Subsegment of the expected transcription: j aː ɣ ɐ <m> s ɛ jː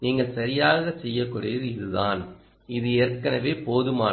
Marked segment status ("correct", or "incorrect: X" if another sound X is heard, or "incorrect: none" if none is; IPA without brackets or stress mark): incorrect: none